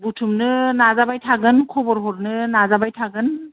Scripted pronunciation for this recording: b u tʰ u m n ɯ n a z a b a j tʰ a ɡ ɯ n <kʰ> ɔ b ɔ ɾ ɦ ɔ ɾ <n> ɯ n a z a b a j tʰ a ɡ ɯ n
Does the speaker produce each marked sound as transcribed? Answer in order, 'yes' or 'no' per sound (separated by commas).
yes, yes